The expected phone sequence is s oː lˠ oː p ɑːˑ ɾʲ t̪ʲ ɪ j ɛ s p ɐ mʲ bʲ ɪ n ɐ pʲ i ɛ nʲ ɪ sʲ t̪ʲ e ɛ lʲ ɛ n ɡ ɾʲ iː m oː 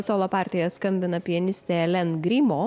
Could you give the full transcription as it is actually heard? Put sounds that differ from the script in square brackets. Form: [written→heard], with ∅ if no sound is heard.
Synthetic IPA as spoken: s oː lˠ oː p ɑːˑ ɾʲ t̪ʲ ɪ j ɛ s [p→k] ɐ mʲ bʲ ɪ n ɐ pʲ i ɛ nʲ ɪ sʲ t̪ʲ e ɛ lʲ ɛ n ɡ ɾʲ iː m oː

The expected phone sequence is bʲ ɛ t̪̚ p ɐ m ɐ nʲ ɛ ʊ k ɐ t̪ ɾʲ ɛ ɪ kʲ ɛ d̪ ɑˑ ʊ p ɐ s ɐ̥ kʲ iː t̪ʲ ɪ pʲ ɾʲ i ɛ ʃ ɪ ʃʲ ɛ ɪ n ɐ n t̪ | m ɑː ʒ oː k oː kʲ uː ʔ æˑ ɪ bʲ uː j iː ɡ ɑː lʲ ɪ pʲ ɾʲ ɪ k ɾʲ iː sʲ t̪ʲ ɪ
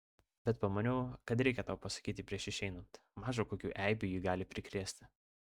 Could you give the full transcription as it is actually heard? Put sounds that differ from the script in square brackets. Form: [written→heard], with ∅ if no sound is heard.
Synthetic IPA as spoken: bʲ ɛ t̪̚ p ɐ m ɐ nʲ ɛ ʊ k ɐ t̪ ɾʲ ɛ ɪ kʲ ɛ [d̪→t̪] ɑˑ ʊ p ɐ s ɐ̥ kʲ iː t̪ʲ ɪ pʲ ɾʲ i ɛ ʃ ɪ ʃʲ ɛ ɪ n ɐ n t̪ | m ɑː ʒ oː k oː kʲ uː ʔ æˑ ɪ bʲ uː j iː ɡ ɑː lʲ ɪ pʲ ɾʲ ɪ k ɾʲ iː sʲ t̪ʲ ɪ

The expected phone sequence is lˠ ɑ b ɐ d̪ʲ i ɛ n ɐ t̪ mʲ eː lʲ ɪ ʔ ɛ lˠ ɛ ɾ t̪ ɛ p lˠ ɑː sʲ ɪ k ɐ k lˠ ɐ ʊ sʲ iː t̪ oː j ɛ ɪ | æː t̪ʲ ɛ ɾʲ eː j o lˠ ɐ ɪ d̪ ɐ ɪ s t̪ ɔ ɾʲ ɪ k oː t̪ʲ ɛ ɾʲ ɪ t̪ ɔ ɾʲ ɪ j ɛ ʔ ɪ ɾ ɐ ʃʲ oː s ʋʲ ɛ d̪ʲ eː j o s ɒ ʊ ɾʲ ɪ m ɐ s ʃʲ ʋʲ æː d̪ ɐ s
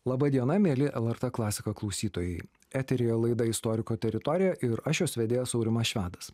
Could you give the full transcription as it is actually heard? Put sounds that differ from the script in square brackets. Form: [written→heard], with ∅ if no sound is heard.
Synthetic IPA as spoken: lˠ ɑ b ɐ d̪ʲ i ɛ n ɐ [t̪→∅] mʲ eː lʲ ɪ ʔ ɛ lˠ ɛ ɾ t̪ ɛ [p→k] lˠ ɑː sʲ ɪ k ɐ k lˠ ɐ ʊ sʲ iː t̪ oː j ɛ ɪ | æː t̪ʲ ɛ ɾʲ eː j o lˠ ɐ ɪ d̪ ɐ ɪ s t̪ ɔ ɾʲ ɪ k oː t̪ʲ ɛ ɾʲ ɪ t̪ ɔ ɾʲ ɪ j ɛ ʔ ɪ ɾ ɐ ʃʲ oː s ʋʲ ɛ d̪ʲ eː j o s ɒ ʊ ɾʲ ɪ m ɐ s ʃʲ ʋʲ æː d̪ ɐ s

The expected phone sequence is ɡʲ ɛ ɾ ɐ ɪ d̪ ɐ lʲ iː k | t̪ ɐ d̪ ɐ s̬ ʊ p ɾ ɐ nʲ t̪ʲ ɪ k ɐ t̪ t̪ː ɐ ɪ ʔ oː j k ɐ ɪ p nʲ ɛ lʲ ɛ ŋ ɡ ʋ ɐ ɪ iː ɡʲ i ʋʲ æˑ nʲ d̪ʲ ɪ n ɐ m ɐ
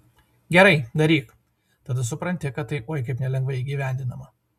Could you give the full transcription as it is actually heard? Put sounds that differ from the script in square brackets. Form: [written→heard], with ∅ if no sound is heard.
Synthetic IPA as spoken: ɡʲ ɛ ɾ ɐ ɪ d̪ ɐ [lʲ→ɾʲ] iː k | t̪ ɐ d̪ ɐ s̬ ʊ p ɾ ɐ nʲ t̪ʲ ɪ k ɐ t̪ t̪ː ɐ ɪ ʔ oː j k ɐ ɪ p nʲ ɛ lʲ ɛ ŋ ɡ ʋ ɐ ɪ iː ɡʲ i ʋʲ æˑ nʲ d̪ʲ ɪ n ɐ m ɐ

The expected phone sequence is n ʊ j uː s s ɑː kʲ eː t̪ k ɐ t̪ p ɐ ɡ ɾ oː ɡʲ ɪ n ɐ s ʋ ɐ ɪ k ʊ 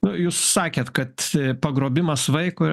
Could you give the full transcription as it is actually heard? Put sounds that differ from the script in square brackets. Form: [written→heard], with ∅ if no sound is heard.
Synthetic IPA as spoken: n ʊ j uː s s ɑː kʲ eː t̪ k ɐ t̪ p ɐ ɡ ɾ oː [ɡʲ→bʲ] ɪ [n→m] ɐ s ʋ ɐ ɪ k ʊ

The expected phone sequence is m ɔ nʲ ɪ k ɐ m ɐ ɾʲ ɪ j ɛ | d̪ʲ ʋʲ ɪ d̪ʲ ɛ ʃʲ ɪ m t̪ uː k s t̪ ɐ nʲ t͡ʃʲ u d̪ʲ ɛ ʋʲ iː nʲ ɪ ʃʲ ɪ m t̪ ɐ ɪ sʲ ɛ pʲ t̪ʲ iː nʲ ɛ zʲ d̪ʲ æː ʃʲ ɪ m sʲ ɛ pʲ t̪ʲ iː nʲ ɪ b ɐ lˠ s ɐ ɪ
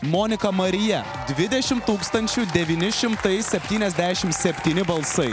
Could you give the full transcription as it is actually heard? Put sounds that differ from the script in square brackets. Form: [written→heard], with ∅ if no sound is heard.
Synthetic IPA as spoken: m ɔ nʲ ɪ k ɐ m ɐ ɾʲ ɪ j ɛ | d̪ʲ ʋʲ ɪ d̪ʲ ɛ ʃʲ ɪ m t̪ uː k s t̪ ɐ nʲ t͡ʃʲ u d̪ʲ ɛ ʋʲ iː nʲ ɪ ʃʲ ɪ m t̪ ɐ ɪ sʲ ɛ pʲ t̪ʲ iː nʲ ɛ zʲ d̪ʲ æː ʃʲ ɪ m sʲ ɛ pʲ t̪ʲ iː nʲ ɪ b ɐ lˠ s ɐ ɪ

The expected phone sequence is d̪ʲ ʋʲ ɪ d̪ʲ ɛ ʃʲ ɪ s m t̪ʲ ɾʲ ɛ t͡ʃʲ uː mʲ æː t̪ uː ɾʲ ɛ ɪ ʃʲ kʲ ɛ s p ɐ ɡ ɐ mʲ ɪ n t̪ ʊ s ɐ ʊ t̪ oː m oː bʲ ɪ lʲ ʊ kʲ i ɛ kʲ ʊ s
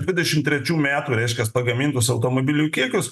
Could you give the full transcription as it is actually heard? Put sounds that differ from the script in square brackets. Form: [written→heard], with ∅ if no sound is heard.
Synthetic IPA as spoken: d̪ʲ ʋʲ ɪ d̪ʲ ɛ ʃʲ ɪ [s→∅] m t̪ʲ ɾʲ ɛ t͡ʃʲ uː mʲ æː t̪ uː ɾʲ ɛ ɪ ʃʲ kʲ ɛ s p ɐ ɡ ɐ mʲ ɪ n t̪ ʊ s ɐ ʊ t̪ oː m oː bʲ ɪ lʲ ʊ kʲ i ɛ kʲ ʊ s

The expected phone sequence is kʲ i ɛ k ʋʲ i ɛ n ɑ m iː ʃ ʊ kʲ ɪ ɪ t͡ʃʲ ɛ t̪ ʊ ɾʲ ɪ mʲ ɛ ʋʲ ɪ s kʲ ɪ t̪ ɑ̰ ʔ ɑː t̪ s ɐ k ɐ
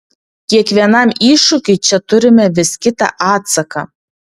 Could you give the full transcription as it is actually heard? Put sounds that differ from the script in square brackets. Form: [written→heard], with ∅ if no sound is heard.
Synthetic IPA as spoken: kʲ i ɛ k ʋʲ i ɛ n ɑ m iː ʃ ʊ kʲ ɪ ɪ t͡ʃʲ ɛ t̪ ʊ ɾʲ ɪ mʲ ɛ ʋʲ ɪ s kʲ ɪ t̪ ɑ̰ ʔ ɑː t̪ s ɐ k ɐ

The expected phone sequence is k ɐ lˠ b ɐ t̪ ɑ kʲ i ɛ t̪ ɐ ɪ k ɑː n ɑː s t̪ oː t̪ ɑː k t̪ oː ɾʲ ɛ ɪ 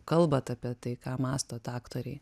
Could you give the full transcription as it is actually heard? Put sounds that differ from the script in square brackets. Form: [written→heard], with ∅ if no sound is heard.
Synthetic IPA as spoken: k ɐ lˠ b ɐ t̪ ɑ [kʲ→pʲ] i ɛ t̪ ɐ ɪ k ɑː [n→m] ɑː s t̪ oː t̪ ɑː k t̪ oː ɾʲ ɛ ɪ

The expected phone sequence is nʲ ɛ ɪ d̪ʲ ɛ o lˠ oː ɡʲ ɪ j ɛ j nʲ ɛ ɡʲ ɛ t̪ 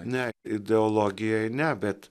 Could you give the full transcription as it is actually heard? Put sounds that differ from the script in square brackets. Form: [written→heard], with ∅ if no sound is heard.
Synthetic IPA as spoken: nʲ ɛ ɪ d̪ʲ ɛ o lˠ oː ɡʲ ɪ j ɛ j nʲ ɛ [ɡʲ→bʲ] ɛ t̪

